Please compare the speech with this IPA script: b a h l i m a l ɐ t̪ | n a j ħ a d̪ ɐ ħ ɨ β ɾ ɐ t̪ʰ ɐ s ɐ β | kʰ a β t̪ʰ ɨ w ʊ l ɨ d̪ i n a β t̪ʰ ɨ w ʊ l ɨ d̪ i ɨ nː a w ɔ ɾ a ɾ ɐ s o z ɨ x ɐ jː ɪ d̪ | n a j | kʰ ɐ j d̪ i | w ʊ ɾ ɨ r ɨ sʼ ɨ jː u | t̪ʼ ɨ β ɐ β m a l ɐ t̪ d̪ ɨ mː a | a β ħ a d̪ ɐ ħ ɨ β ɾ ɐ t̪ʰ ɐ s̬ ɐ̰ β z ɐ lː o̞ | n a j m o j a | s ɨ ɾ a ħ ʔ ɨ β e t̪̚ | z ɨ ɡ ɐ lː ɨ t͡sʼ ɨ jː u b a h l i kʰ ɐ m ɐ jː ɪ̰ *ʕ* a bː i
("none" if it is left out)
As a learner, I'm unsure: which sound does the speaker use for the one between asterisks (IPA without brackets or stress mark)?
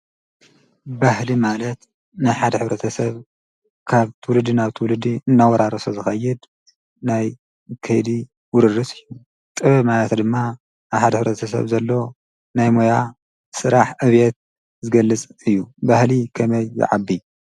ʕ